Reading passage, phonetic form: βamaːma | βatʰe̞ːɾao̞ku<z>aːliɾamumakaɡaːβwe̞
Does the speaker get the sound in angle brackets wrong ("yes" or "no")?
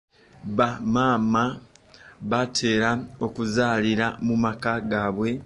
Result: no